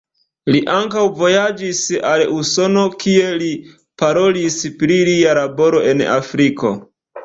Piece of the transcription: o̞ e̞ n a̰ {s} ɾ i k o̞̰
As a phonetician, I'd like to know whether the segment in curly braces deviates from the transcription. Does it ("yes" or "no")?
yes